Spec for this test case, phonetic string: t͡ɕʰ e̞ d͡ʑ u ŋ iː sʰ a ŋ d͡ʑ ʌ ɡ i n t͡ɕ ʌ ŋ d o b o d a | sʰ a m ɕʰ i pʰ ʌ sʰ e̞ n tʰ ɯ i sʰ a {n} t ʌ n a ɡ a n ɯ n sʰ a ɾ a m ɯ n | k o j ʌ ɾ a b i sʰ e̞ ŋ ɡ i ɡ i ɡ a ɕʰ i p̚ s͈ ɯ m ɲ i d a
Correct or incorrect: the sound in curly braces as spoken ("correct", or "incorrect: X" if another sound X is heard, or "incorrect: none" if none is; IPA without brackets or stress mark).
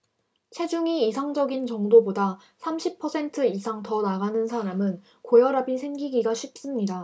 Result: incorrect: ŋ